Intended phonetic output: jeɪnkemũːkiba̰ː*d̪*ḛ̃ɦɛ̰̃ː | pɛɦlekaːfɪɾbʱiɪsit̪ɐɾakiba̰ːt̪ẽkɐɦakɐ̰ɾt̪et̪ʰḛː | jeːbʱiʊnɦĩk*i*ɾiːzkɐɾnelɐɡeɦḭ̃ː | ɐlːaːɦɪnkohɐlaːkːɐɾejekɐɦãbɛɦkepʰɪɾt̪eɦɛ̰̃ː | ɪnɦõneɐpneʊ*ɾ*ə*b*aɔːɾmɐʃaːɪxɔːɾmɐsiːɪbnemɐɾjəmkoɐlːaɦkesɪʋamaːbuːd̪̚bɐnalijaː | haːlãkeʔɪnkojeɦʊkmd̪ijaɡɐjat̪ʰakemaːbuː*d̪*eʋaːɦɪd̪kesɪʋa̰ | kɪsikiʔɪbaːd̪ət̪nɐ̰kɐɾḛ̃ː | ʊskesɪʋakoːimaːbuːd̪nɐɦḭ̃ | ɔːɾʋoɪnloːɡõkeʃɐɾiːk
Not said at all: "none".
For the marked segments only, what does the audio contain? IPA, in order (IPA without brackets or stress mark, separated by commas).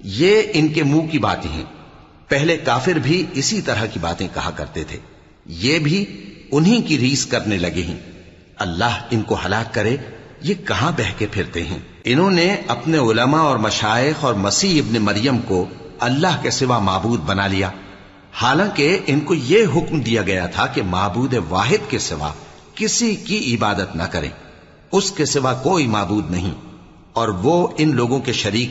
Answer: t̪, i, l, m, d̪